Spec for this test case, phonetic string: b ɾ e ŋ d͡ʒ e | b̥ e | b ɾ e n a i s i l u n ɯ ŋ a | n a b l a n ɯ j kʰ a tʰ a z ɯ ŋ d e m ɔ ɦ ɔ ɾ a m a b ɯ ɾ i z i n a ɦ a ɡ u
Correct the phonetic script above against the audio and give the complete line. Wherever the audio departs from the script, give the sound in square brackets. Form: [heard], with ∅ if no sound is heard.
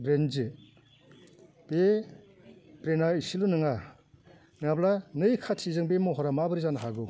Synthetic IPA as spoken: b ɾ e [n] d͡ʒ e | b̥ e | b ɾ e n a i s i l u n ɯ ŋ a | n a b l a n ɯ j kʰ a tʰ [i] z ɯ ŋ [b] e m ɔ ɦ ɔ ɾ a m a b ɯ ɾ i z [a] n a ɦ a ɡ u